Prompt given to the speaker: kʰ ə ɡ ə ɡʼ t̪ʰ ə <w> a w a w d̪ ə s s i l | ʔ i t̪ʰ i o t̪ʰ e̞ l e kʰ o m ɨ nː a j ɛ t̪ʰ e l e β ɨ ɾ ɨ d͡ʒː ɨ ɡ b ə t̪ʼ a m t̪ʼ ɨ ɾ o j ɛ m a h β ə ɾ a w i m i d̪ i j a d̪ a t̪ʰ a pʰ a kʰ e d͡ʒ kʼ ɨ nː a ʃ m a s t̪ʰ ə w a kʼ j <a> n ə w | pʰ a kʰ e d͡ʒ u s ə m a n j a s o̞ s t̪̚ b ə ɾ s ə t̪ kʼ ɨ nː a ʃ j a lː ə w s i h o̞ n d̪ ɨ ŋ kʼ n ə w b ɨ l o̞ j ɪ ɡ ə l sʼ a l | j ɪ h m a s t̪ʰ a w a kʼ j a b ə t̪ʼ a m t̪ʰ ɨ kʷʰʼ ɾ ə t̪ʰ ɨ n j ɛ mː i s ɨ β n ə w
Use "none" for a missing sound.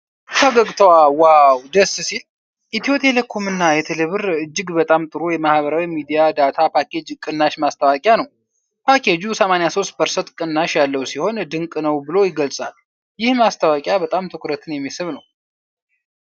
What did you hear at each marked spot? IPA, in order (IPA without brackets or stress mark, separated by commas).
w, a